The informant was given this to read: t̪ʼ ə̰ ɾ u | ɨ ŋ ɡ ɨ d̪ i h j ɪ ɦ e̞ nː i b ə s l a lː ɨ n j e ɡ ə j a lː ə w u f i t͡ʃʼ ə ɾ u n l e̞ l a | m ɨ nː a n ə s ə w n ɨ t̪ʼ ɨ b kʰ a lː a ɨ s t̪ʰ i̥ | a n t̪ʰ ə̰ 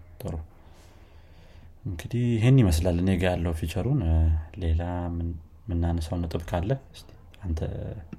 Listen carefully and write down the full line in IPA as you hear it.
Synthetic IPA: t̪ʼ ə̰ ɾ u | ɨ ŋ ɡ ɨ d̪ i h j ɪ ɦ e̞ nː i m ə s l a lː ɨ n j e ɡ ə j a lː ə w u f i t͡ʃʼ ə ɾ u n l e̞ l a | m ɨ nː a n ə s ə w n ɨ t̪ʼ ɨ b kʰ a lː ə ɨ s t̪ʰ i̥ | a n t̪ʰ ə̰